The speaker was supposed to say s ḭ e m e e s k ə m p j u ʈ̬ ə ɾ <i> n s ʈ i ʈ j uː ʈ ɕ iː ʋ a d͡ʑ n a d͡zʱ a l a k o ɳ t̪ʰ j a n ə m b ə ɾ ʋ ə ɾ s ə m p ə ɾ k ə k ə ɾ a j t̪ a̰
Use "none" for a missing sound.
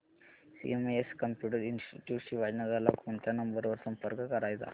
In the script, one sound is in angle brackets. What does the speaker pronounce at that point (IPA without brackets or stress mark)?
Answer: i